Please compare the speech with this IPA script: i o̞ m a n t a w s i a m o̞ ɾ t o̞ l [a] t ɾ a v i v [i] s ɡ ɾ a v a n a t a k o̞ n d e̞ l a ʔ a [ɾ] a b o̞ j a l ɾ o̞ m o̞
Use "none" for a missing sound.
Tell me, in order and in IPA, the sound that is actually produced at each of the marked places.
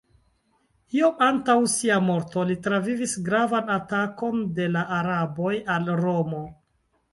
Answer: i, i, ɾ

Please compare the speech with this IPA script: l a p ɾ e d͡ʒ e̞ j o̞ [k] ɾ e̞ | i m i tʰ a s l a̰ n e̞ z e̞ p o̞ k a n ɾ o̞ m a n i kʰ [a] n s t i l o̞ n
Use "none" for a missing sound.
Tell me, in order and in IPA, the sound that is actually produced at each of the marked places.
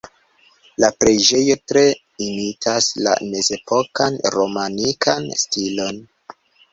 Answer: t, a

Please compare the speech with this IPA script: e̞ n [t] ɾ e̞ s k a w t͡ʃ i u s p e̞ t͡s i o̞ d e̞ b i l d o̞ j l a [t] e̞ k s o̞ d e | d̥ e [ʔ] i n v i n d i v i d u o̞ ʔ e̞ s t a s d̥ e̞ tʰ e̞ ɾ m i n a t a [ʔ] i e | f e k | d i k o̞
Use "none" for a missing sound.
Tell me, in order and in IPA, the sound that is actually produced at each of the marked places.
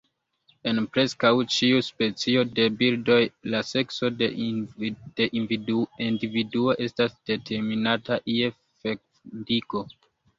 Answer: p, s, ʔ, ʔ

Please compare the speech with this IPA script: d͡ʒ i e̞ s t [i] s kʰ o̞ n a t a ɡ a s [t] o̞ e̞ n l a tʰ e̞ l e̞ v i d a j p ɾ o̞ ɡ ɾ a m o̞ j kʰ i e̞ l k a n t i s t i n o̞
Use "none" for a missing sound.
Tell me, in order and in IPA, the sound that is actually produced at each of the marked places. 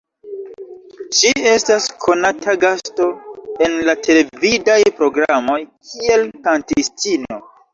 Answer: a, t

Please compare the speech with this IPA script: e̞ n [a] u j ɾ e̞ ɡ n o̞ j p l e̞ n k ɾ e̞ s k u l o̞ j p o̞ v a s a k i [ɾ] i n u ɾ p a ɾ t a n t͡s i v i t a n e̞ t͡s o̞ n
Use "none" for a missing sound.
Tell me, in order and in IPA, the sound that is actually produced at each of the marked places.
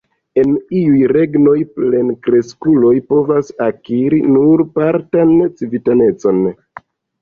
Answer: i, ɾ

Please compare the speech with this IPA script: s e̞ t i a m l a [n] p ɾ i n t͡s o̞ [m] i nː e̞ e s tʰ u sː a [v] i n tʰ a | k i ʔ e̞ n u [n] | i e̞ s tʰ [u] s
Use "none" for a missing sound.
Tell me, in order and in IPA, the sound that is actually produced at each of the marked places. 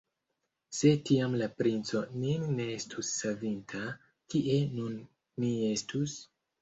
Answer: none, n, v, nː, u

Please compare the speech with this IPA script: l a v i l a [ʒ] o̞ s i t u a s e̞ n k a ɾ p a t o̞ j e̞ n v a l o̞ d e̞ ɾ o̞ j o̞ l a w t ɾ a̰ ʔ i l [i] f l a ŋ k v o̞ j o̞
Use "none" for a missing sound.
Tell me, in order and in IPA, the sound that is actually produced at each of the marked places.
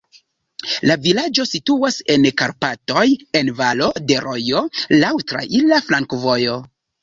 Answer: d͡ʒ, a

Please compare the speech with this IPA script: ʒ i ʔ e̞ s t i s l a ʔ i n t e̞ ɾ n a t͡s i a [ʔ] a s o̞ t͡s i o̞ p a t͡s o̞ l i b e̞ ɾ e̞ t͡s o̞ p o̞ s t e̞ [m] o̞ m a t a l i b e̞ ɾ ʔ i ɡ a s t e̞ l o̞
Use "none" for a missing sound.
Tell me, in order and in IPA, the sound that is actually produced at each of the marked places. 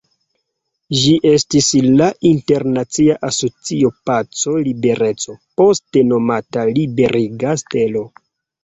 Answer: ʔ, n

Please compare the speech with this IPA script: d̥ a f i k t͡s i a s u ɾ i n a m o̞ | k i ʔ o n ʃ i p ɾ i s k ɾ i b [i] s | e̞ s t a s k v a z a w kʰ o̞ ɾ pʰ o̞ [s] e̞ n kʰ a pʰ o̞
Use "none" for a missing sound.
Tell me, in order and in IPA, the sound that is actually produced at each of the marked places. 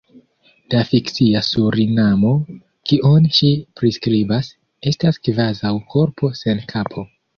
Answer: a, s

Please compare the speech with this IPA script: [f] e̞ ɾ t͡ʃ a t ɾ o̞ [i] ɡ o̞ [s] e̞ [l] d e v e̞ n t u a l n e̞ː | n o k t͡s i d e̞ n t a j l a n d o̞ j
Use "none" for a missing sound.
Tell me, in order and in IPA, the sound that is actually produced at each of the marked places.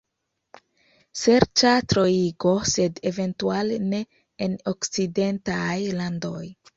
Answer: s, i, s, none

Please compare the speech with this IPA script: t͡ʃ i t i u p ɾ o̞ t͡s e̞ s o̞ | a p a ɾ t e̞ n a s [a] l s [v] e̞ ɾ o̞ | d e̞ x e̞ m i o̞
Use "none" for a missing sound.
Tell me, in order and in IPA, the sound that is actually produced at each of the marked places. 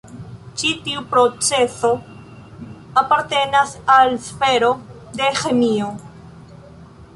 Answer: a, f

